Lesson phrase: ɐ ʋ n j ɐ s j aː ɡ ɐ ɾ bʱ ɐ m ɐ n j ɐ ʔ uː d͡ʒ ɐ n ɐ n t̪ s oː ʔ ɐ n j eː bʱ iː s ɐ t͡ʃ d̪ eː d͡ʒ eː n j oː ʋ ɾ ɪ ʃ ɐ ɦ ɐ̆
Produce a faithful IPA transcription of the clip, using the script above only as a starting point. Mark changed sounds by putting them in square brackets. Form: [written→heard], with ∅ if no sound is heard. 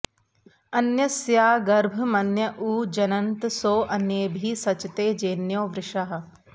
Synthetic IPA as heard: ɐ [ʋ→∅] n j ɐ s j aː ɡ ɐ ɾ bʱ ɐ m ɐ n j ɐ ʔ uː d͡ʒ ɐ n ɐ n t̪ s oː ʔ ɐ n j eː bʱ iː s ɐ t͡ʃ [d̪→t̪] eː d͡ʒ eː n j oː ʋ ɾ ɪ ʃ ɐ ɦ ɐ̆